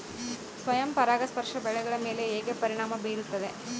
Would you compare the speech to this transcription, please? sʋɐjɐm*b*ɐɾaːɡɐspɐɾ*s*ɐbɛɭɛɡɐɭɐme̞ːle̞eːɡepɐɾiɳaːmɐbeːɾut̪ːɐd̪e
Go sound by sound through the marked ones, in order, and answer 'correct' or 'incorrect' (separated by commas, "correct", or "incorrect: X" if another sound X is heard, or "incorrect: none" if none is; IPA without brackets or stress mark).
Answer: incorrect: p, incorrect: ʂ